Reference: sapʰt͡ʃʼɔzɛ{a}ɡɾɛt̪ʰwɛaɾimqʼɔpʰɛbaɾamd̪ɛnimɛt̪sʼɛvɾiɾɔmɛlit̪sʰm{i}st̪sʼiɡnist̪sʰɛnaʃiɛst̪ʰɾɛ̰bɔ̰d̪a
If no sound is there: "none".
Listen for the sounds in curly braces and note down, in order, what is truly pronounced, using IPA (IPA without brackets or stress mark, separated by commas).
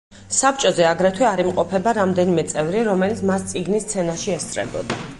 a, a